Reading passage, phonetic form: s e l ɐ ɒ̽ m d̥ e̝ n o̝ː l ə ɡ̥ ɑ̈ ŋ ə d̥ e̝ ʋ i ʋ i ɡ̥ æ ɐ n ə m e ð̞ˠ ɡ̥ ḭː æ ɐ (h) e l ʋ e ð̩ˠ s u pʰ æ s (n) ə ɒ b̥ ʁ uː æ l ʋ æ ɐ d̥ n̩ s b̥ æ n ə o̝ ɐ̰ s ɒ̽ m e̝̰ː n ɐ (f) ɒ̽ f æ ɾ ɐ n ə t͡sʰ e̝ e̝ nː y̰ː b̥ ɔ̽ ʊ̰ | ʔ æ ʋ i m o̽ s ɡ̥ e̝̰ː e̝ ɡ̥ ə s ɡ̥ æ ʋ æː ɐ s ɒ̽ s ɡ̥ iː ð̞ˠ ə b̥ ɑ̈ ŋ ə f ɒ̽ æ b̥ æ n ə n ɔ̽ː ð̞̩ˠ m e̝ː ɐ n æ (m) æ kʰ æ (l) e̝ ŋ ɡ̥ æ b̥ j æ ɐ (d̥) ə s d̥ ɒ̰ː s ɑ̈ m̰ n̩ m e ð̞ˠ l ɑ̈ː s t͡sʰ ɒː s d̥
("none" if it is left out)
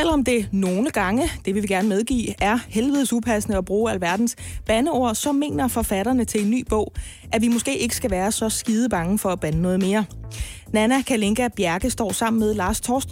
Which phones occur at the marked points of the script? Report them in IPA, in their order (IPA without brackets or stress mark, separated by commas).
h, n, f, n, l, ɡ̥